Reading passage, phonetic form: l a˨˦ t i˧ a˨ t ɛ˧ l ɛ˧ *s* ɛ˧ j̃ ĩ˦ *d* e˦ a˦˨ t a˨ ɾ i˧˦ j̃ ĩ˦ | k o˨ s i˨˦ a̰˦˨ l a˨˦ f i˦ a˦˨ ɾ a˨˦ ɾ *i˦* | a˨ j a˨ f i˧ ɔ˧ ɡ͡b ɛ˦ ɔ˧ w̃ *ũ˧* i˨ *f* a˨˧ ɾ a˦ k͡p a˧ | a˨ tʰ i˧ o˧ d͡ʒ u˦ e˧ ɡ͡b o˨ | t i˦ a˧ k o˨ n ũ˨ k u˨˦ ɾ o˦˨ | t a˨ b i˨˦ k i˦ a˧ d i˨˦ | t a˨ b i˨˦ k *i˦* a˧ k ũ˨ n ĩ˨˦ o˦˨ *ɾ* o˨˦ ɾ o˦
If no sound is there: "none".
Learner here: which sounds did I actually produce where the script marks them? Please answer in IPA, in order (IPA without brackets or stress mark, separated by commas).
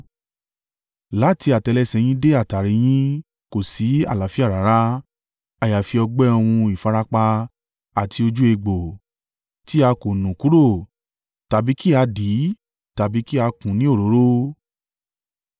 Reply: s, d, a˦, ũ˧, f, i˦, ɾ